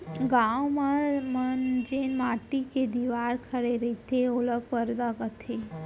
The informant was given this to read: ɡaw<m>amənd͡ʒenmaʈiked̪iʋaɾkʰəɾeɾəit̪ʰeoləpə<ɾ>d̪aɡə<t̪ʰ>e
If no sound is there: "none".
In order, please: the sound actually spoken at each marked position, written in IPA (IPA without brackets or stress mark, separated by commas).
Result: m, ɾ, t̪ʰ